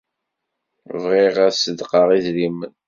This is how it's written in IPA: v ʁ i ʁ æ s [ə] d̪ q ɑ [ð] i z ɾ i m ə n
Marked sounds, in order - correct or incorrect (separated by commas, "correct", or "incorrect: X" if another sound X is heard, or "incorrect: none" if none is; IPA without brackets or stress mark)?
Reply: correct, incorrect: ʁ